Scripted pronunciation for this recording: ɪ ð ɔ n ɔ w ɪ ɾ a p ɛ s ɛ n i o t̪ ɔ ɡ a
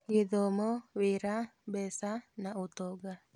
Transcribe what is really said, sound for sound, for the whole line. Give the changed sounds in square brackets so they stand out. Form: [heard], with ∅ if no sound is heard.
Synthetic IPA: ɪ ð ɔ [m] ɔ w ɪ ɾ a [b] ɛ s [a] n [a] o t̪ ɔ ɡ a